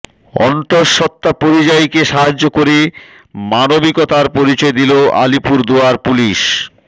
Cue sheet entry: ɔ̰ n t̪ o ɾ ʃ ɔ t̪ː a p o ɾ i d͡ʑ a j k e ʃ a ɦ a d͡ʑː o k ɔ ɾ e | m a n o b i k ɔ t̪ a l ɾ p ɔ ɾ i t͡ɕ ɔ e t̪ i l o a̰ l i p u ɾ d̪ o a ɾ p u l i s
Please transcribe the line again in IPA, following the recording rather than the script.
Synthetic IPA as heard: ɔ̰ n t̪ o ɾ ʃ ɔ t̪ː a p o ɾ i d͡ʑ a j k e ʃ a ɦ a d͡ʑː o k o ɾ e | m a n o b i k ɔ t̪ a ɾ p o ɾ i t͡ɕ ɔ e d̪ i l o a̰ l i p u ɾ d̪ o a ɾ p u l i ʃ